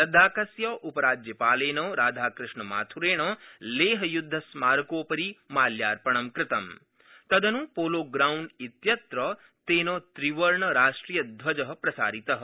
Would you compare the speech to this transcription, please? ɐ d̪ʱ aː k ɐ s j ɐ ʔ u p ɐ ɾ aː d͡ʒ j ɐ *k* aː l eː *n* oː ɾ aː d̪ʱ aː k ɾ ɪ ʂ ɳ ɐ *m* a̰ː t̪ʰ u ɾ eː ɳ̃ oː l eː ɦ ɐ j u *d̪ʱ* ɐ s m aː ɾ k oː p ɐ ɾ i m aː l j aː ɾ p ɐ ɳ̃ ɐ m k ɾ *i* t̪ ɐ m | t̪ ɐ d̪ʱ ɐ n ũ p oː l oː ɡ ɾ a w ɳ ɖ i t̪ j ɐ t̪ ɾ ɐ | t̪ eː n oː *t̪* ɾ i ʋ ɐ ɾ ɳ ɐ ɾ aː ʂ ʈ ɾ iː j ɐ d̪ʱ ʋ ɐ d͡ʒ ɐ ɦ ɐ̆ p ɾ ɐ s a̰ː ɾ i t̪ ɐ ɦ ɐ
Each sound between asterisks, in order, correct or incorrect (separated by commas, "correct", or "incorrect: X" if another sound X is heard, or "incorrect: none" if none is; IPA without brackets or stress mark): incorrect: p, correct, correct, incorrect: d̪ʱː, incorrect: ɪ, correct